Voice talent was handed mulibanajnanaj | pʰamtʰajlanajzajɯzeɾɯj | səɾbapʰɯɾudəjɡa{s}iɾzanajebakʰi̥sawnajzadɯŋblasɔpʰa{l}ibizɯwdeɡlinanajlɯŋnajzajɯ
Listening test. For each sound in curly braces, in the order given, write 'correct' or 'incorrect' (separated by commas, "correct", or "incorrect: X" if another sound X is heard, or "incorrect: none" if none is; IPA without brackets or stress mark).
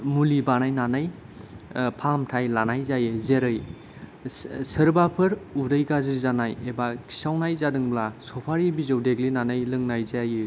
incorrect: z, incorrect: ɾ